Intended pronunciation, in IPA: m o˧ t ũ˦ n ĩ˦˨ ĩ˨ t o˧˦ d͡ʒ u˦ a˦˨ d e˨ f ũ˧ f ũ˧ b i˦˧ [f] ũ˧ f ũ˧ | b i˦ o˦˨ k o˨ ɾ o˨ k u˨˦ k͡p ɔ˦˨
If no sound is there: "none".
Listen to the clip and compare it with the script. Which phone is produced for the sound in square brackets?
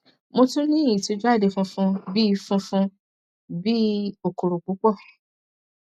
f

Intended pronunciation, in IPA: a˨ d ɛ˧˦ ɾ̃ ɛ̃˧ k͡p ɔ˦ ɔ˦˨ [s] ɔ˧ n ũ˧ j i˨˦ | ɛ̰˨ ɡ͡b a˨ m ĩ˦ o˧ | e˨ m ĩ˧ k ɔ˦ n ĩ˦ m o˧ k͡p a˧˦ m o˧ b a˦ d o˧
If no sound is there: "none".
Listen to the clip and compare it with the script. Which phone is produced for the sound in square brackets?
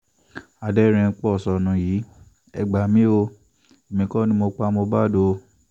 s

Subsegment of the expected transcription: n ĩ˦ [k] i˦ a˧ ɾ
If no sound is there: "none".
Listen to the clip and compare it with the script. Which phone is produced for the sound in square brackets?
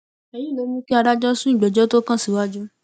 k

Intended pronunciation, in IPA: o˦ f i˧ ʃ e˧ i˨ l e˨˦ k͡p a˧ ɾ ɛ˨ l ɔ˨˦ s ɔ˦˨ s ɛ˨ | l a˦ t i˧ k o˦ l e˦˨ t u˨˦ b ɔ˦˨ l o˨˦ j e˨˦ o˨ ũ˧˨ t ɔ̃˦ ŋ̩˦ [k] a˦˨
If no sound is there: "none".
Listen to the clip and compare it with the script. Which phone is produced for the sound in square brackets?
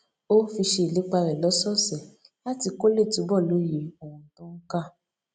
k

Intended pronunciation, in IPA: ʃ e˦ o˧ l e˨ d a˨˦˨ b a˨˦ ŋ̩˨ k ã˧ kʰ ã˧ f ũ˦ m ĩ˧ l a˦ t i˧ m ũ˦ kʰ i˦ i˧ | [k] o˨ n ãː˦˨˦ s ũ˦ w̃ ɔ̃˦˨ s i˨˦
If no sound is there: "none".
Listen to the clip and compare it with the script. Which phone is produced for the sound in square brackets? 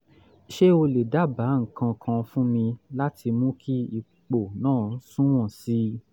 k͡p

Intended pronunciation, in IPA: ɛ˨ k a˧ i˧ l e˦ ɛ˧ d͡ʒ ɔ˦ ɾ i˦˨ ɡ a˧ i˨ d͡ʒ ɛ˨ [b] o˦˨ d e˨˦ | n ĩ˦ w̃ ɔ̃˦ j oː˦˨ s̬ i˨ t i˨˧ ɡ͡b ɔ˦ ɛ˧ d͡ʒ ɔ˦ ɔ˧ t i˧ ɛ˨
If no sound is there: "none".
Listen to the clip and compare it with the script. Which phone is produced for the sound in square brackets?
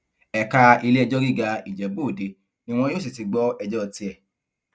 b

